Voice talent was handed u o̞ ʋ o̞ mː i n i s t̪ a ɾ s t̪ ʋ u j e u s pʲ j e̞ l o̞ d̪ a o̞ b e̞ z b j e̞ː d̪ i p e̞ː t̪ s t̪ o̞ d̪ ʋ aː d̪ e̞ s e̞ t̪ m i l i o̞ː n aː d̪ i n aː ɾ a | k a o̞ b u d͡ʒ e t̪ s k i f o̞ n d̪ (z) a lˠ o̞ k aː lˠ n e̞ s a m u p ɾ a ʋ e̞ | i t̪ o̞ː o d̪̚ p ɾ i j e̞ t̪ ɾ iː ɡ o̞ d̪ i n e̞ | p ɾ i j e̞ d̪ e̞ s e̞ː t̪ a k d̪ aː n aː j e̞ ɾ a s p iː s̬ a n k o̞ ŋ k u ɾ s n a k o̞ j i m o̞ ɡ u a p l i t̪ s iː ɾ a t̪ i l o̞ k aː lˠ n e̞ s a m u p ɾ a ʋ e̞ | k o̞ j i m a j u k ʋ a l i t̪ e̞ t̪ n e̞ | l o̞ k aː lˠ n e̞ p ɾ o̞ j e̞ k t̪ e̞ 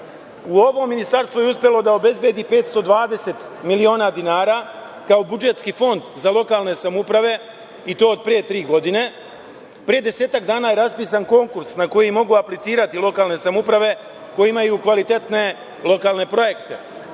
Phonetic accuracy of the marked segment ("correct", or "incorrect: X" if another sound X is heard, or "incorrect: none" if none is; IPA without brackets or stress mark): correct